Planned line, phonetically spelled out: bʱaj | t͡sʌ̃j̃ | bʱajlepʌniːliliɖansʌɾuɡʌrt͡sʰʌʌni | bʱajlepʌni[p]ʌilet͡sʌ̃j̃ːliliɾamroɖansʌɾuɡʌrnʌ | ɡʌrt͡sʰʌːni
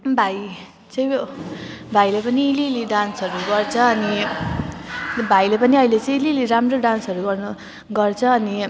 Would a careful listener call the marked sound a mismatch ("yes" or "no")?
yes